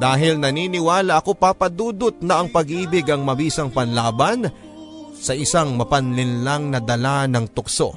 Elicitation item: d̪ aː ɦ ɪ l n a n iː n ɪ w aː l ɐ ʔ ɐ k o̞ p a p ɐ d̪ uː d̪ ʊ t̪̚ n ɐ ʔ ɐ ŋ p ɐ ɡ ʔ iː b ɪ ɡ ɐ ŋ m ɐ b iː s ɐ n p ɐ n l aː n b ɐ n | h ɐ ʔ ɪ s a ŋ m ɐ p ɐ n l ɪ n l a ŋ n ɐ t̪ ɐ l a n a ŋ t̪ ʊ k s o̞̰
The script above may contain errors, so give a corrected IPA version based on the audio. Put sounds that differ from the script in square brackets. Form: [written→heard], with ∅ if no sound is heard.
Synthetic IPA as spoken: d̪ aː ɦ ɪ l n [a→ɐ] n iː n ɪ w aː l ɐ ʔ ɐ k o̞ p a p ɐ d̪ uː d̪ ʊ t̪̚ n ɐ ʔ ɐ ŋ p ɐ ɡ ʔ iː b ɪ ɡ ɐ ŋ m ɐ b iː s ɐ [n→ŋ] p ɐ n l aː [n→∅] b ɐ n | [h→s] ɐ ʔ ɪ s a ŋ m ɐ p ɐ n l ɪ n l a ŋ n ɐ [t̪→d̪] ɐ l a n [a→ɐ] ŋ t̪ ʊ k s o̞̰